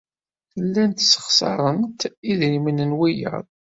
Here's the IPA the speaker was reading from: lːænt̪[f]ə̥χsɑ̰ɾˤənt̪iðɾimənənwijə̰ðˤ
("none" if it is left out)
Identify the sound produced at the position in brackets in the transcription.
s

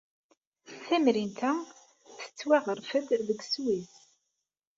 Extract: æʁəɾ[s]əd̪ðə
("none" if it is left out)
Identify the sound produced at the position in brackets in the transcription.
f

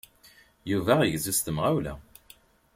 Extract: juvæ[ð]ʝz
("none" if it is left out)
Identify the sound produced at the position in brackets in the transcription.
ʁ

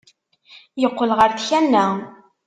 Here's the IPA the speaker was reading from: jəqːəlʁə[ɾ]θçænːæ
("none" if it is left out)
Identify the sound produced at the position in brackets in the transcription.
ɾ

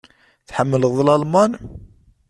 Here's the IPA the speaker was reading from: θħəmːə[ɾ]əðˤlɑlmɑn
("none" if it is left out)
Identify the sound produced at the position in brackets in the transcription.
l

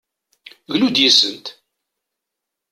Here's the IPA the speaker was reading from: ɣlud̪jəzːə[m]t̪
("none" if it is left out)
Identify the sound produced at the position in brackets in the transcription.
n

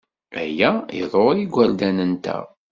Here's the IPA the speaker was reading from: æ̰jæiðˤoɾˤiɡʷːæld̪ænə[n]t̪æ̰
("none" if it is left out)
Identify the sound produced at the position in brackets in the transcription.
n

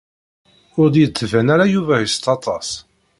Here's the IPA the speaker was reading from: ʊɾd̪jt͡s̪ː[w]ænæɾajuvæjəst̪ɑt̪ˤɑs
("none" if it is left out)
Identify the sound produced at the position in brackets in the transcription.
v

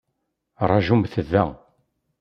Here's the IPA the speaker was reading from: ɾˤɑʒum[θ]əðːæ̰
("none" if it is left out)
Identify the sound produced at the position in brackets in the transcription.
θ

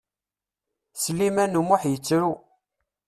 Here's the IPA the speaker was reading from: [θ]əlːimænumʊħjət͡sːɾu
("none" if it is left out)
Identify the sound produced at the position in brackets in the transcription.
s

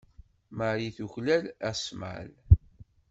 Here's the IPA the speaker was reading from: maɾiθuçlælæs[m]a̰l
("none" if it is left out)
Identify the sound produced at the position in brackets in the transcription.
m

